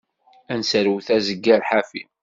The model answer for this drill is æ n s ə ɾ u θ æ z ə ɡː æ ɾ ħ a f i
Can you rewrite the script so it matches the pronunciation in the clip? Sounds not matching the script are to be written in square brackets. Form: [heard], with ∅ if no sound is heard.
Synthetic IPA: æ n s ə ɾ [w] θ æ z ə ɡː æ ɾ ħ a f i